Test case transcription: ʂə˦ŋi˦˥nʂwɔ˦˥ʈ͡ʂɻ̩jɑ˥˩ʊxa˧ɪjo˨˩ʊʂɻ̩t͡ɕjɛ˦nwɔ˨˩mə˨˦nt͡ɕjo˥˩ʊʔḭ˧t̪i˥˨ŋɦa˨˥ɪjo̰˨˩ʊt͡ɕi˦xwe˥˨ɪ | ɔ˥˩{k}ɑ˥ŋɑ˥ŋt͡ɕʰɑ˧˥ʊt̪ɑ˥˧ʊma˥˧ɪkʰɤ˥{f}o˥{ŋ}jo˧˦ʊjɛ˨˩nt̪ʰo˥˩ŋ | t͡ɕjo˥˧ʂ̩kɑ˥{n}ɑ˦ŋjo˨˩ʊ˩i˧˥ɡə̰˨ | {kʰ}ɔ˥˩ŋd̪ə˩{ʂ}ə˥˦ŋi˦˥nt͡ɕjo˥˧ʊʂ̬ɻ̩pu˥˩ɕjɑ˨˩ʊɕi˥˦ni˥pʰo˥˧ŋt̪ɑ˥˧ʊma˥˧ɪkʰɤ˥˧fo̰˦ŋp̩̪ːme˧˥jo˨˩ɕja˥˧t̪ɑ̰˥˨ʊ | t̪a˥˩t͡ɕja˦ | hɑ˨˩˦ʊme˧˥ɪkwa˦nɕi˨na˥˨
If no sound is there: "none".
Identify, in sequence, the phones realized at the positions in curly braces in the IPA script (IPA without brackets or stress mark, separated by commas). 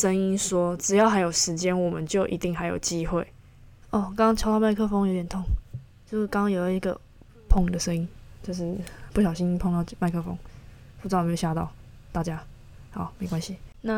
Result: k, f, ŋ, ŋ, pʰ, ʂ